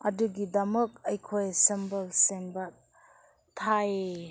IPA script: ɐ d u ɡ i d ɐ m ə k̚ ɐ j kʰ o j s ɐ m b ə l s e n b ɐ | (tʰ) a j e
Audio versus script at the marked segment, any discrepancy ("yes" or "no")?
no